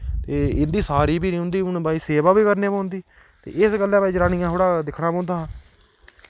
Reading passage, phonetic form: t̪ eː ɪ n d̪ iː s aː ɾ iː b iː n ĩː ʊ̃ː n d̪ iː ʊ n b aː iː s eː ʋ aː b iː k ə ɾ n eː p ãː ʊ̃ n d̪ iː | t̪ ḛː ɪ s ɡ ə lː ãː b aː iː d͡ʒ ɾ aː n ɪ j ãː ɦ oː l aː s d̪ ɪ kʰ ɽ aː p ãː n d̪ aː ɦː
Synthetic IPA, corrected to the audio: t̪ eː ɪ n d̪ iː s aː ɾ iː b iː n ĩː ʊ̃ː n d̪ iː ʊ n b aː iː s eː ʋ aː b iː k ə ɾ n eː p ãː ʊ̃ n d̪ iː | t̪ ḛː ɪ s ɡ ə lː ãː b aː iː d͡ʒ ɾ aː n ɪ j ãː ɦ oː ɽ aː d̪ ɪ kʰ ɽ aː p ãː n d̪ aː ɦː